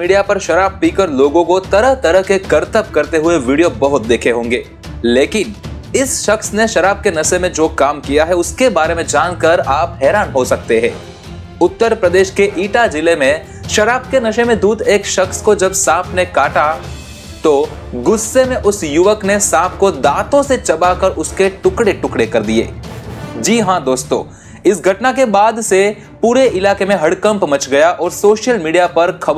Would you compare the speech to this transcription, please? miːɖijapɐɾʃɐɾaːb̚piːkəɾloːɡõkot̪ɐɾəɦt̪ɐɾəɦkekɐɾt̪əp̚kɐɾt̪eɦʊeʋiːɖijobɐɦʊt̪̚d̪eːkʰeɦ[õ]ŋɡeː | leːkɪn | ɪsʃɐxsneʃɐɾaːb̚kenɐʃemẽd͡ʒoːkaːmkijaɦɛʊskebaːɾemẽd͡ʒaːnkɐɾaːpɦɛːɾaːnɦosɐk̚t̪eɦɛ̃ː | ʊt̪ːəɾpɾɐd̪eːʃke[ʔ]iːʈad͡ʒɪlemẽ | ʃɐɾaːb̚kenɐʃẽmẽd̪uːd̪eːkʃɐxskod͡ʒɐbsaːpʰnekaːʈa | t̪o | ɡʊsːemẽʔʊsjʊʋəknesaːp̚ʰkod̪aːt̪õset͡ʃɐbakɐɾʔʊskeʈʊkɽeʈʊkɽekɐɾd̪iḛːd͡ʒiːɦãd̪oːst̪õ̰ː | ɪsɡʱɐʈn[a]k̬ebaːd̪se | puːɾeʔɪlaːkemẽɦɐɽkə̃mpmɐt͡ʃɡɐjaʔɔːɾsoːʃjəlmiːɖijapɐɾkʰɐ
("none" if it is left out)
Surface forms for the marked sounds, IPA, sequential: õː, ʔ, a

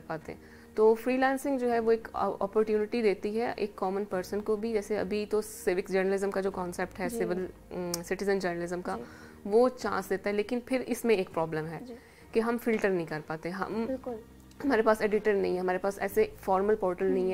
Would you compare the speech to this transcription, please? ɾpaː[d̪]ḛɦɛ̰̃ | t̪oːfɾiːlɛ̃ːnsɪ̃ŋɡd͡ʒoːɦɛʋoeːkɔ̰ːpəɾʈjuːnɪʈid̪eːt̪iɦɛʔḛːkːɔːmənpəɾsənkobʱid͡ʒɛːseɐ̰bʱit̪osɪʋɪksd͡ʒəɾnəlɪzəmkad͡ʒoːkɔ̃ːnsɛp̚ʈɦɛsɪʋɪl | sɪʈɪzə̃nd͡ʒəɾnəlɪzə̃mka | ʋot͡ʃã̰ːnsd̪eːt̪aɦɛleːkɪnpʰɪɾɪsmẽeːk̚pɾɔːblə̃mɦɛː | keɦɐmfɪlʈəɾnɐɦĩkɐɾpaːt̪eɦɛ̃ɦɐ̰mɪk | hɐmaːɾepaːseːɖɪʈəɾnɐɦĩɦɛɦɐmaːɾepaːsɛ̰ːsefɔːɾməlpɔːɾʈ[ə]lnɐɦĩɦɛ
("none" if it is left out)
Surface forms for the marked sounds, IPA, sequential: t̪, ə

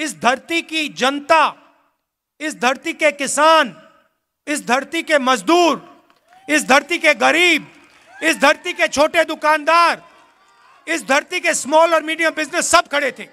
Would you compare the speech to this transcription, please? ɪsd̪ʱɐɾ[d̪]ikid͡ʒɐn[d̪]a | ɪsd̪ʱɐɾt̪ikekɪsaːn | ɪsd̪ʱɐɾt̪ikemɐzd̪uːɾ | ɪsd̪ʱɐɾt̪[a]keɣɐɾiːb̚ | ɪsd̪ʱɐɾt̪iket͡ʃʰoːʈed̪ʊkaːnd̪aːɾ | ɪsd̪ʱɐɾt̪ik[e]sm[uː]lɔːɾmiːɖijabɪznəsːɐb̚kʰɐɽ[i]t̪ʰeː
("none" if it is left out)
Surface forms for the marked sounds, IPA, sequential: t̪, t̪, i, e, ɔː, e

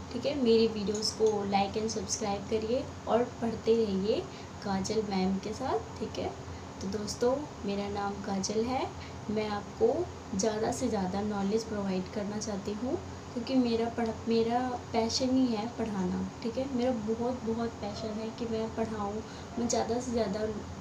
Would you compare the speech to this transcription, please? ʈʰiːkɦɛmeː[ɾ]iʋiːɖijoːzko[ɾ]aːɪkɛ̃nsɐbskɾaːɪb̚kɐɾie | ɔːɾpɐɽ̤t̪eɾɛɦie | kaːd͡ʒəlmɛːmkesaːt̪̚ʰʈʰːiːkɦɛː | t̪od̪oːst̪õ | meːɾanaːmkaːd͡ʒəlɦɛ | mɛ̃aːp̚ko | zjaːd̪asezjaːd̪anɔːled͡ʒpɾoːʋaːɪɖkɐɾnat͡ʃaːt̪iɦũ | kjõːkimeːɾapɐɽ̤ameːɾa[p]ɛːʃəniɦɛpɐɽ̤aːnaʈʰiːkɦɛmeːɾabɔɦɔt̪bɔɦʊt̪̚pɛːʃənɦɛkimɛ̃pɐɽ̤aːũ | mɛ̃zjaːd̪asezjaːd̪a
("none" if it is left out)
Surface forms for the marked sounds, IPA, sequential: ɾ, l, p

